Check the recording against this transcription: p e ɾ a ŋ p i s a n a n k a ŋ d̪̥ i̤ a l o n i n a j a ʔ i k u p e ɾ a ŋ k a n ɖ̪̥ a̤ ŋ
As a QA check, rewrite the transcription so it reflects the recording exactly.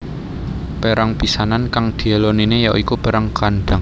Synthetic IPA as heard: p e ɾ a ŋ p i s a n a n k a ŋ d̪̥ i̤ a l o n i n e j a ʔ i k u p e ɾ a ŋ k a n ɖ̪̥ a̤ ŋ